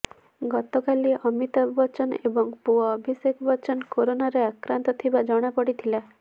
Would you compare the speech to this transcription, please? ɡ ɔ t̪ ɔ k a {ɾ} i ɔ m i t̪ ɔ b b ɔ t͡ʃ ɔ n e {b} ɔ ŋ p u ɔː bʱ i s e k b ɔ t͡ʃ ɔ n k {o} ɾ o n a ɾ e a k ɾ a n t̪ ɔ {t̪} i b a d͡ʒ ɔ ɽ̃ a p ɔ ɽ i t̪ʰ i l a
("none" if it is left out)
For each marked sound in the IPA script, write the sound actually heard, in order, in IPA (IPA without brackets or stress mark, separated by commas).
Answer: l, b, o, t̪ʰ